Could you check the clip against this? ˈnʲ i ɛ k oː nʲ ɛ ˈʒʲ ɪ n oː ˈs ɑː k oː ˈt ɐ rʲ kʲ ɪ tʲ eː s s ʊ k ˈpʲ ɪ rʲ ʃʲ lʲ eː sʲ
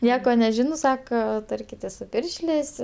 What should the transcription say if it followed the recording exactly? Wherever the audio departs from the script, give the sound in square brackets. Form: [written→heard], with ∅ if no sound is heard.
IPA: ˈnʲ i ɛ k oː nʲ ɛ ˈʒʲ ɪ n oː ˈs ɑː k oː ˈt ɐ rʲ kʲ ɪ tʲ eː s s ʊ [k→∅] ˈpʲ ɪ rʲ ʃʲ lʲ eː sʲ